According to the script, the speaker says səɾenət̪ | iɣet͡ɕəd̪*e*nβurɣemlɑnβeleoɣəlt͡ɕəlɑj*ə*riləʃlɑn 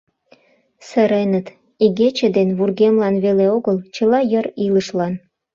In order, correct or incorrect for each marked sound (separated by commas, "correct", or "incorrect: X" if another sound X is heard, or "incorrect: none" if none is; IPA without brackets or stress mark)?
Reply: correct, correct